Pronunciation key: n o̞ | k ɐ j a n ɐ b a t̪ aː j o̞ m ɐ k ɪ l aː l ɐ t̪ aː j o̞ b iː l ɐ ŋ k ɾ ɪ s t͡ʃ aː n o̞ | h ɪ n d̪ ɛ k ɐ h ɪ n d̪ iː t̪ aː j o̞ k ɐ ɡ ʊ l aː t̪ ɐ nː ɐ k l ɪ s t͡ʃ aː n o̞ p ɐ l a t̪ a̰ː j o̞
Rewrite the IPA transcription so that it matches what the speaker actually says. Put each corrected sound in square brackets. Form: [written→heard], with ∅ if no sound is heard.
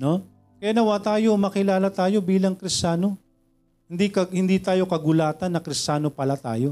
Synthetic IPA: n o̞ | k ɐ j a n ɐ [b→w] a t̪ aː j o̞ m ɐ k ɪ l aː l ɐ t̪ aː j o̞ b iː l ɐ ŋ k ɾ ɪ s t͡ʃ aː n o̞ | h ɪ n d̪ [ɛ→i] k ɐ h ɪ n d̪ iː t̪ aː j o̞ k ɐ ɡ ʊ l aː t̪ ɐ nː ɐ k [l→ɾ] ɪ s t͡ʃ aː n o̞ p ɐ l a t̪ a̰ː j o̞